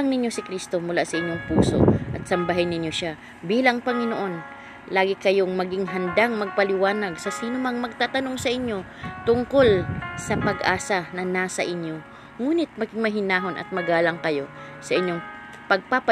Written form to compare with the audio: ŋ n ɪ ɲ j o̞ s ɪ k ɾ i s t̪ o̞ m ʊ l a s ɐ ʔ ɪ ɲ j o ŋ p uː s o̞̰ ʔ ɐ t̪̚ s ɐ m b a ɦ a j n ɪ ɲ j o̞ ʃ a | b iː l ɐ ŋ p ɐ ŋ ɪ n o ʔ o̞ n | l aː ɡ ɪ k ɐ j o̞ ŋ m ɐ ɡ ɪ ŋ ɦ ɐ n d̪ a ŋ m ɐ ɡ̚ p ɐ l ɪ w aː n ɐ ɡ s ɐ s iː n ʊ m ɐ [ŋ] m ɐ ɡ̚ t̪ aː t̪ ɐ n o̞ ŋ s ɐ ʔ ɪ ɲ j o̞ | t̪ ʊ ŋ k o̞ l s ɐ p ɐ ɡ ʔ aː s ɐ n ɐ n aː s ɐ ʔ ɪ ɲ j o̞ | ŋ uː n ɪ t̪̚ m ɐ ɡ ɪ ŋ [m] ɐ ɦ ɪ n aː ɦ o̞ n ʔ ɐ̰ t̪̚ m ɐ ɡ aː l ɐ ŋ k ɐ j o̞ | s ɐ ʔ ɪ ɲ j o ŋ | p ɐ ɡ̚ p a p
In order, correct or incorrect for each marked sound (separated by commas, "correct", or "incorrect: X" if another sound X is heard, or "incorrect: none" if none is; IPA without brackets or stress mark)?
correct, correct